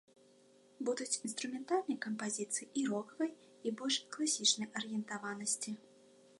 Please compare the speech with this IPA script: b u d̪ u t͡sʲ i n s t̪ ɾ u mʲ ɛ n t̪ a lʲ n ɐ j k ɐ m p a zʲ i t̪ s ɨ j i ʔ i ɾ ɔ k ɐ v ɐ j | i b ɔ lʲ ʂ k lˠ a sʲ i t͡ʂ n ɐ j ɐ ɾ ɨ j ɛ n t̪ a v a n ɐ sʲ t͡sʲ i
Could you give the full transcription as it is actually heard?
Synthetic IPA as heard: b u d̪ u t͡sʲ i n s t̪ ɾ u mʲ ɛ n t̪ a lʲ n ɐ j k ɐ m p a zʲ i t̪ s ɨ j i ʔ i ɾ ɔ k ɐ v ɐ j | i b ɔ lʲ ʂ k lˠ a sʲ i t͡ʂ n ɐ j ɐ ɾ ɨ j ɛ n t̪ a v a n ɐ sʲ t͡sʲ i

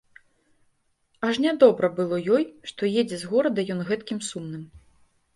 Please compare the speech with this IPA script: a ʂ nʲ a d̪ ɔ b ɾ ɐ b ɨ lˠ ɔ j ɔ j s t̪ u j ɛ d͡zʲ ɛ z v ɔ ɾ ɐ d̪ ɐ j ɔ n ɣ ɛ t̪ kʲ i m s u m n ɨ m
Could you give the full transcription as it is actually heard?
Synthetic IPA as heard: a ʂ nʲ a d̪ ɔ b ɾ ɐ b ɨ lˠ ɔ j ɔ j ʂ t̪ ɔ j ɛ d͡zʲ ɛ z ɣ ɔ ɾ ɐ d̪ ɐ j ɔ n ɣ ɛ t̪ kʲ i m s u m n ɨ m

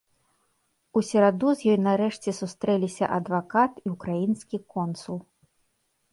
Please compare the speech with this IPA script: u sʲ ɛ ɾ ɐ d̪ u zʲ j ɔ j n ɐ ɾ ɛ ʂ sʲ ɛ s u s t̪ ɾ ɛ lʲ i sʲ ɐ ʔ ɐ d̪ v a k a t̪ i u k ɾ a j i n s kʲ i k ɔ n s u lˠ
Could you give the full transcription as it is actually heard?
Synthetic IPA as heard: u sʲ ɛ ɾ a d̪ u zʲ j ɔ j n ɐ ɾ ɛ ʂ t͡sʲ ɛ s u s t̪ ɾ ɛ lʲ i sʲ ɐ ʔ ɐ d̪ v a k a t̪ i u k ɾ a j i n s kʲ i k ɔ n s u lˠ

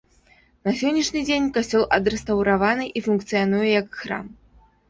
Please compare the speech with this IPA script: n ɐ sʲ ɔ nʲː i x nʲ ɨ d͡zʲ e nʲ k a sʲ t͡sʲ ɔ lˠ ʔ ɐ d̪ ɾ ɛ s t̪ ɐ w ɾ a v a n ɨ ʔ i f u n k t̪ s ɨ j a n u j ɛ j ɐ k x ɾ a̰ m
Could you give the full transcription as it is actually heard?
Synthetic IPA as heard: n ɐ sʲ ɔ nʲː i ʂ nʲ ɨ d͡zʲ e nʲ k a sʲ t͡sʲ ɔ lˠ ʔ ɐ d̪ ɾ ɛ s t̪ ɐ w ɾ a v a n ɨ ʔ i f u n k t̪ s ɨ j a n u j ɛ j ɐ k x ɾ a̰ m

